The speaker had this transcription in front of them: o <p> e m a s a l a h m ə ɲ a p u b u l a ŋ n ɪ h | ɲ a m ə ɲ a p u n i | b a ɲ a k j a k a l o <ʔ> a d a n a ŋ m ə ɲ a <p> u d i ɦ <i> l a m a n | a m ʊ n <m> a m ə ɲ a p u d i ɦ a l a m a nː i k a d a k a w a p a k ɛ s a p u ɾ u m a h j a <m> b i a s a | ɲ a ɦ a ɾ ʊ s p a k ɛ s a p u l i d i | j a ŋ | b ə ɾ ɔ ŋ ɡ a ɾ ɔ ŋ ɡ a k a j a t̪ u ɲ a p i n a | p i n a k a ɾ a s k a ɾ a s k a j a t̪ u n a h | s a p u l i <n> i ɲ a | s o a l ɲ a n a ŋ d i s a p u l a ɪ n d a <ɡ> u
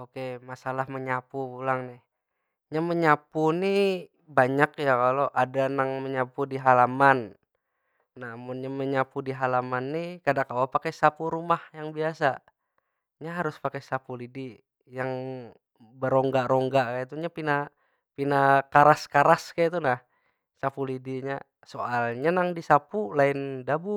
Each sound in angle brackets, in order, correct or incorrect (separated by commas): incorrect, correct, correct, incorrect, incorrect, incorrect, incorrect, incorrect